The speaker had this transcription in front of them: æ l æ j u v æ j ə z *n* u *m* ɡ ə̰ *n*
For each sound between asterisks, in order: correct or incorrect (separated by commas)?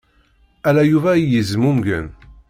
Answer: incorrect, correct, correct